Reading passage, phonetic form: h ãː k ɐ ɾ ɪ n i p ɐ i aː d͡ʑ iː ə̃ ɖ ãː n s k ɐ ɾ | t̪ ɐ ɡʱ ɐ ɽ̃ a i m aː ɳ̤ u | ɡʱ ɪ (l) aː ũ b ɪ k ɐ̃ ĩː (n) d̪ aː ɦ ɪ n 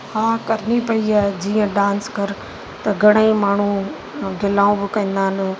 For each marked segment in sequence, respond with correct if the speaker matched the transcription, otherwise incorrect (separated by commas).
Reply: correct, correct